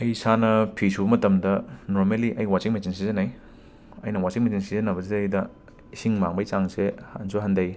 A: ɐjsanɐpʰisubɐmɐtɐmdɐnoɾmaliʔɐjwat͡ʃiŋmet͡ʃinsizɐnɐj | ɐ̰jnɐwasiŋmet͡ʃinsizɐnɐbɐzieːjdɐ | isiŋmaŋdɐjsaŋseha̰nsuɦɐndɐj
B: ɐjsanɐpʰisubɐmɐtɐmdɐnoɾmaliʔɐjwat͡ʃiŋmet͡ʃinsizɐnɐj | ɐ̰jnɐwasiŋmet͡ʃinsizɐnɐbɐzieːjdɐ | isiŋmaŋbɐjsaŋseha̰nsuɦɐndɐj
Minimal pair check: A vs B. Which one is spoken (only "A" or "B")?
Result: B